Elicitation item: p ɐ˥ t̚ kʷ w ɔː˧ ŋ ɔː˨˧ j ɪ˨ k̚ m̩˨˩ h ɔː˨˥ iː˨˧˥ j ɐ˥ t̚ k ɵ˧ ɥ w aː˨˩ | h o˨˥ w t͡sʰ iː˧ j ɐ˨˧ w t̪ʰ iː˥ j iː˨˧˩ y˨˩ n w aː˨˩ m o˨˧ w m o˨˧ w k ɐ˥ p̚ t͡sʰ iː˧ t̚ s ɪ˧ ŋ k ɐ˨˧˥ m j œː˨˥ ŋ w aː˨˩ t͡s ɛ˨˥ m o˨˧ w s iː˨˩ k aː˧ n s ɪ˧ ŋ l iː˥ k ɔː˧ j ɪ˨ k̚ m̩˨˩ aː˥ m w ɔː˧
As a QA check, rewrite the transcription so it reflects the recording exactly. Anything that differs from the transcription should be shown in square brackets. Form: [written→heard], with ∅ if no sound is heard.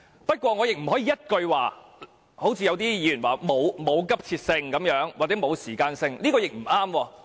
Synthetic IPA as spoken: p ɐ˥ t̚ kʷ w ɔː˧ ŋ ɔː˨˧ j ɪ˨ k̚ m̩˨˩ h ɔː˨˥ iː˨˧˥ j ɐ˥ t̚ k ɵ˧ ɥ w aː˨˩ | h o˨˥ w t͡sʰ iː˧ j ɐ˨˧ w [t̪ʰ→t̪] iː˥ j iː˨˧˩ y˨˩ n w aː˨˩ m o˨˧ w m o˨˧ w k ɐ˥ p̚ t͡sʰ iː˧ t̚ s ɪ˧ ŋ k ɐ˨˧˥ m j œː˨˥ ŋ w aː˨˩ t͡s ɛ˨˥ m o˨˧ w s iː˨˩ k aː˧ n s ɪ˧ ŋ l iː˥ k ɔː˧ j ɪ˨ k̚ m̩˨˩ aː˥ m w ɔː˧